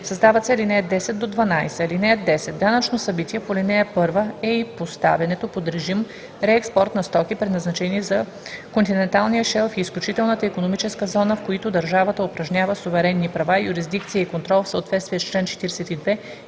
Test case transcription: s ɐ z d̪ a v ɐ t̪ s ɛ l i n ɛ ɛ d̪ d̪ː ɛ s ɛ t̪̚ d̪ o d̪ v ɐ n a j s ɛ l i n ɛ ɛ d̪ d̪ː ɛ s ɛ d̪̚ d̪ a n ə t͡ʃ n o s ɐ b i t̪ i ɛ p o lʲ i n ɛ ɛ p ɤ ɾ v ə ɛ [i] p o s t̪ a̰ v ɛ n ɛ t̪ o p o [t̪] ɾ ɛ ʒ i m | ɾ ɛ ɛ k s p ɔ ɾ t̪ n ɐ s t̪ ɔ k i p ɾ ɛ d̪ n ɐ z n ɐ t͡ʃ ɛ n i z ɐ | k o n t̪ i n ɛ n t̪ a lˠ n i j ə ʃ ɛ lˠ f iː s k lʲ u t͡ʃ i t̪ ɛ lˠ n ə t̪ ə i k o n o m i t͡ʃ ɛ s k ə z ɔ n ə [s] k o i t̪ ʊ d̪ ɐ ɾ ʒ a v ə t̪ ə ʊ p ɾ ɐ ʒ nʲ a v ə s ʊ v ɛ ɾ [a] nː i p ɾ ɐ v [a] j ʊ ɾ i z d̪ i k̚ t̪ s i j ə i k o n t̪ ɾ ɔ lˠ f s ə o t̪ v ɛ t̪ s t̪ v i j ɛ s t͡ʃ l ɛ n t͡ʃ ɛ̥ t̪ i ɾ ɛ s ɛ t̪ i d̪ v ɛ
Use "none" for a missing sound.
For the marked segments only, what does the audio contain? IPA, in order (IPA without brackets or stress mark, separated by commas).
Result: i, d̪, f, ɛ, a